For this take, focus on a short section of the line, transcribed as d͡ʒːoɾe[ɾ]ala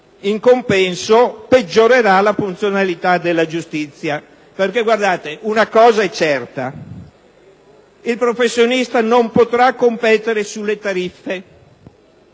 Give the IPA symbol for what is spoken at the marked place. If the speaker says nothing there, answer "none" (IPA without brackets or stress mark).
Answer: ɾ